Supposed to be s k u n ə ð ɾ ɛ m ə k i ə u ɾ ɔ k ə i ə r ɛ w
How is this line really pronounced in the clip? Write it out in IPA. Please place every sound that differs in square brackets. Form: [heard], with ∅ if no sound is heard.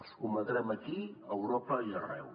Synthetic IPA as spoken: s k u [m] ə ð ɾ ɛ m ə k i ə [w] ɾ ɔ [p] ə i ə r ɛ w